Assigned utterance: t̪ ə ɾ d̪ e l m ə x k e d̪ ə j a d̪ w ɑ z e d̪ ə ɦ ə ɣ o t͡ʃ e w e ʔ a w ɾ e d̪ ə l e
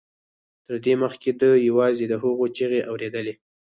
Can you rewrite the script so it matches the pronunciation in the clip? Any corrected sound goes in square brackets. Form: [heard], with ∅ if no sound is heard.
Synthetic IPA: t̪ ə ɾ d̪ e [∅] m ə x k e d̪ ə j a [∅] w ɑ z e d̪ ə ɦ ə ɣ o t͡ʃ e [ɣ] e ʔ a w ɾ e d̪ ə l e